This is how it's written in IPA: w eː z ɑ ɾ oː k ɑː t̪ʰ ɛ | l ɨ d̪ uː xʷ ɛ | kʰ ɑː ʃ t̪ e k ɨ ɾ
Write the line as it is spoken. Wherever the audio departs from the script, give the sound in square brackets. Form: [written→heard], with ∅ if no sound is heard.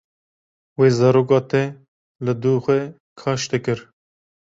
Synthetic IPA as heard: w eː z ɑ ɾ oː k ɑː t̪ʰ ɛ | l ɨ d̪ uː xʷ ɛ | kʰ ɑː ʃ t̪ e k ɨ ɾ